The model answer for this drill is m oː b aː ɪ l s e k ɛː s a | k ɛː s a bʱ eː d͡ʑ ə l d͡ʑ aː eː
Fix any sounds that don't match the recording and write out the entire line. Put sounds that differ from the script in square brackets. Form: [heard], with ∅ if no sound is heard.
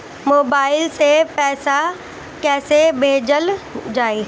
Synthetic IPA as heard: m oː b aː ɪ l s e [p] ɛː s a | k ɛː s [e] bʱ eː d͡ʑ ə l d͡ʑ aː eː